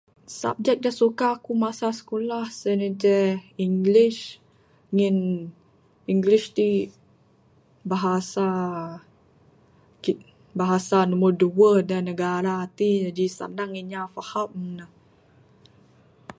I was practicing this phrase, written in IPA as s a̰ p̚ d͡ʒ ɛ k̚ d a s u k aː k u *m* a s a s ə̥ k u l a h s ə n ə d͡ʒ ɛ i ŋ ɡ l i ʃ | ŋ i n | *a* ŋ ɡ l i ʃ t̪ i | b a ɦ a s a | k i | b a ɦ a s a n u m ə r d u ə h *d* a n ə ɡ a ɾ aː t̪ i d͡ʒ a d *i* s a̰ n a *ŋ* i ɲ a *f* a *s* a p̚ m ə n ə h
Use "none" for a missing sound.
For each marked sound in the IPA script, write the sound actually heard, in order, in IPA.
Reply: m, i, d, i, ŋ, f, h

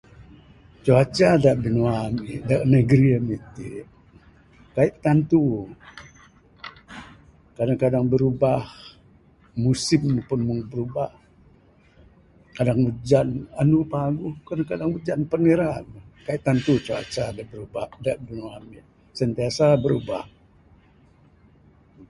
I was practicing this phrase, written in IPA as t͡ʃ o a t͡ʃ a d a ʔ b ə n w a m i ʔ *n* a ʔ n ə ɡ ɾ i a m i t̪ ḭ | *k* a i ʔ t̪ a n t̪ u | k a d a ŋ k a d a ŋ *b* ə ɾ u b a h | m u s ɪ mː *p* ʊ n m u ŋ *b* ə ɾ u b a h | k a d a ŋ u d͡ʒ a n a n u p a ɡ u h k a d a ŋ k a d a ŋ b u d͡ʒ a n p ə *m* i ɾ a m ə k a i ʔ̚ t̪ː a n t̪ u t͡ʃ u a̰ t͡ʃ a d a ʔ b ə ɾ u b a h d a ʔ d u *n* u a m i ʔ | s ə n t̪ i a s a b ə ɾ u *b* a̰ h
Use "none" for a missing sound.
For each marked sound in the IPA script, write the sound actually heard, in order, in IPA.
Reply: d, k, b, p, b, n, n, b

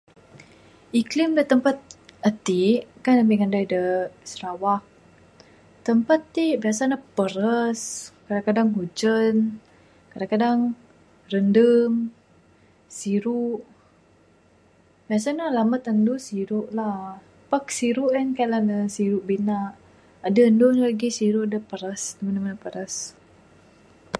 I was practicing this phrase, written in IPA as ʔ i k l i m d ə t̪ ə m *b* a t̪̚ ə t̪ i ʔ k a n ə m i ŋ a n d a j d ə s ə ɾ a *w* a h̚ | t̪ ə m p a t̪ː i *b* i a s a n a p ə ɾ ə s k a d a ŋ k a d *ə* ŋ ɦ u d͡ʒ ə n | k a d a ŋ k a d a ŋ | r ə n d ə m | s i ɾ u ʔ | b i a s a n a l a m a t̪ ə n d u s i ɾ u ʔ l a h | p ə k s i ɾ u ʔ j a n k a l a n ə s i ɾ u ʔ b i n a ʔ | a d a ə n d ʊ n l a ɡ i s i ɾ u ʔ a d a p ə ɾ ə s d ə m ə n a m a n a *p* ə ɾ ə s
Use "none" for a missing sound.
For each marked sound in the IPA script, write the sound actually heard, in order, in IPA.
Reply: p, w, b, a, p

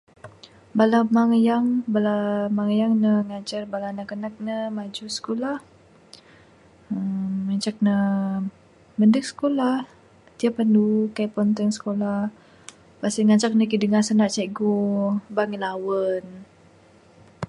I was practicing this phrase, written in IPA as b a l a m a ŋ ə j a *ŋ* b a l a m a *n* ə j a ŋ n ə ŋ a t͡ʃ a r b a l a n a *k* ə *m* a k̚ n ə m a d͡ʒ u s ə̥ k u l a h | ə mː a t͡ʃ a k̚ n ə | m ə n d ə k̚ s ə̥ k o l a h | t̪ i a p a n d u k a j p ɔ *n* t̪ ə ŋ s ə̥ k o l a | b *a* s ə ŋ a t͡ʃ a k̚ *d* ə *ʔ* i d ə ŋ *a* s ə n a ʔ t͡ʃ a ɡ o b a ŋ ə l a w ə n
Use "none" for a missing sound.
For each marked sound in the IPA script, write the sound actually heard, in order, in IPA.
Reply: ŋ, ŋ, k, n, n, a, n, k, a

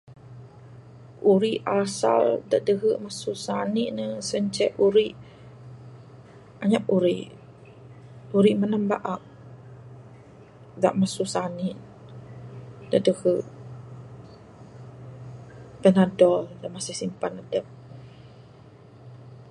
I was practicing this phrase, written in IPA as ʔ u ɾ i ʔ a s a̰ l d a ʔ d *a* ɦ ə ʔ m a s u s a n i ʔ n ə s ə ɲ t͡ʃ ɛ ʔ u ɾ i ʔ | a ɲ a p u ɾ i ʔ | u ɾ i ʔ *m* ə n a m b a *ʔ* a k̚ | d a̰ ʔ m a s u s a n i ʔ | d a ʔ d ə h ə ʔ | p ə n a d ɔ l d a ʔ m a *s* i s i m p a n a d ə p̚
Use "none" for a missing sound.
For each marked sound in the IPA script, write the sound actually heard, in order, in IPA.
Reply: ə, m, ʔ, s

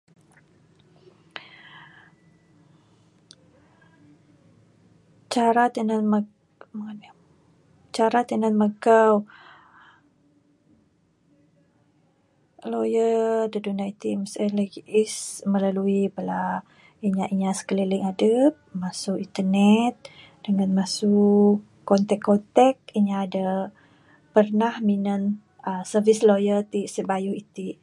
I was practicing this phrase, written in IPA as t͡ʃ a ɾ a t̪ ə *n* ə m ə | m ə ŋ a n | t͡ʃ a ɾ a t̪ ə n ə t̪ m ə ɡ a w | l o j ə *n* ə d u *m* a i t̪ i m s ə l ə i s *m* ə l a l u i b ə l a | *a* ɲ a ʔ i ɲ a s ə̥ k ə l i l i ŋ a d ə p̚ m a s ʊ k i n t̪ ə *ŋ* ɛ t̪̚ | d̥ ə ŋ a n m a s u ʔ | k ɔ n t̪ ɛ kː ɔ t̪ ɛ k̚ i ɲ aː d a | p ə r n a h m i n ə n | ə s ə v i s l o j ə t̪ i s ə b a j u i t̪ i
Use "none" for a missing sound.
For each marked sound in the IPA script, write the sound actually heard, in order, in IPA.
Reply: n, d, n, m, i, n

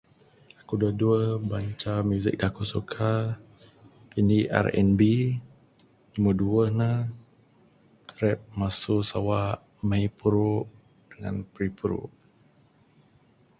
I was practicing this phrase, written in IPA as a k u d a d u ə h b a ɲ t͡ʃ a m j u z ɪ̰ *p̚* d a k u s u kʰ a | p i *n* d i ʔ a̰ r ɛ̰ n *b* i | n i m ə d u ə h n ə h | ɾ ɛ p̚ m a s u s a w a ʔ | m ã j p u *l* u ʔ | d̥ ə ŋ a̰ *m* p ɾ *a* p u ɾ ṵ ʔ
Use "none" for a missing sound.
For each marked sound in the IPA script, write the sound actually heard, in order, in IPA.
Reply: k̚, n, b, ɾ, n, i

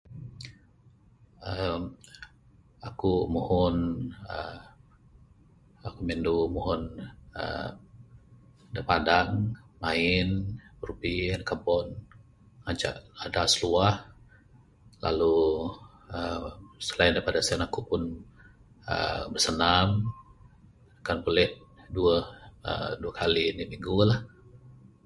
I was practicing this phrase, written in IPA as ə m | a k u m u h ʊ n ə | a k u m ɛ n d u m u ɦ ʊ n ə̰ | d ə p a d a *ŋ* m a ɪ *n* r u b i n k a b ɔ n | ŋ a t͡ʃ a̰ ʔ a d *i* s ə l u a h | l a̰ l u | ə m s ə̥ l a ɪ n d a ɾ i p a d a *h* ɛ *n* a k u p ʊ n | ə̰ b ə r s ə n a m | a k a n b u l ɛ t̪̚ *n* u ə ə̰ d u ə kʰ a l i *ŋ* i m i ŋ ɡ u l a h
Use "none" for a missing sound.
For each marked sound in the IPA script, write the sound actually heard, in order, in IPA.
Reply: ŋ, n, a, s, n, d, n

